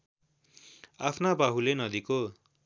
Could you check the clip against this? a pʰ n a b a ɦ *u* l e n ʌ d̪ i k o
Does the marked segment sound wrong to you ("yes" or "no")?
no